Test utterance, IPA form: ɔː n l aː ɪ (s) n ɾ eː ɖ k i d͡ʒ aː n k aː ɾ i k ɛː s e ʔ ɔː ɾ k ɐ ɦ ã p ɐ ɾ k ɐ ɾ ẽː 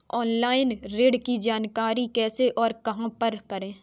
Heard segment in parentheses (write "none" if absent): none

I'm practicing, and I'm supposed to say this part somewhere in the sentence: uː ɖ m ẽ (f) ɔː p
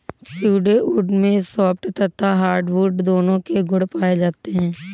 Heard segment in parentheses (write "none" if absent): s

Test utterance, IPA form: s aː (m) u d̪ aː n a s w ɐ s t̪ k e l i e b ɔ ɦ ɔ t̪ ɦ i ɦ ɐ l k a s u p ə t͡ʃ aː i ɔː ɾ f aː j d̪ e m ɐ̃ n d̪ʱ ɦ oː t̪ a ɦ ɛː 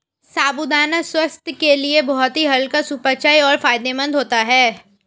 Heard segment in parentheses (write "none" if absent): b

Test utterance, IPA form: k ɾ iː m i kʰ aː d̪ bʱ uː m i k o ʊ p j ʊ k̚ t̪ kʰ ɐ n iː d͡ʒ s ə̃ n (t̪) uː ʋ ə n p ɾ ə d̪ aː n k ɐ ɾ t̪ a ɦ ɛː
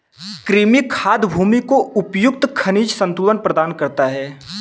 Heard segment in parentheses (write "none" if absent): t̪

